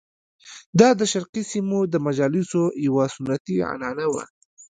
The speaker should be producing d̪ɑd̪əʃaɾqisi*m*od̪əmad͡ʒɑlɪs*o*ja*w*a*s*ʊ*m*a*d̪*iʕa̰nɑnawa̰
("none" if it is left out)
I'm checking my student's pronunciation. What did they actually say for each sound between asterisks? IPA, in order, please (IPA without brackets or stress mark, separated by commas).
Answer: m, o, w, s, n, t̪